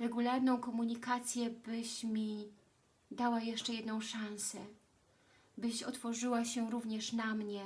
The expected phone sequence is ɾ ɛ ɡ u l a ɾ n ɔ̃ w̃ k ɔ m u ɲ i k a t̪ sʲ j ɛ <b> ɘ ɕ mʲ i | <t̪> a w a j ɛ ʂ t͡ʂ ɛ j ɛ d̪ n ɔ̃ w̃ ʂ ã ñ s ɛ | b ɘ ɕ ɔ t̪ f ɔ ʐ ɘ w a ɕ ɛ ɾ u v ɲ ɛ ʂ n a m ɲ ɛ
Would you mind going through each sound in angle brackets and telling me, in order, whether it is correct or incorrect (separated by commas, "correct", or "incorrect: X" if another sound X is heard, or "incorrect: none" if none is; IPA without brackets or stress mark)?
correct, incorrect: d̪